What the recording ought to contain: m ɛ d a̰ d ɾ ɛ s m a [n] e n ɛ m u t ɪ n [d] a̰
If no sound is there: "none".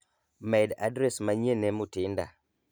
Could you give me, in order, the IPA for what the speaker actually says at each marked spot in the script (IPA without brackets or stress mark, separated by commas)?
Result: ɲ, d